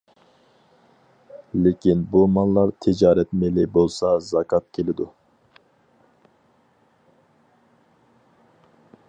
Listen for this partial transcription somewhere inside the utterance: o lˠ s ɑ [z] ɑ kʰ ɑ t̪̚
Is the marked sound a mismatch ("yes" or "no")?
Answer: no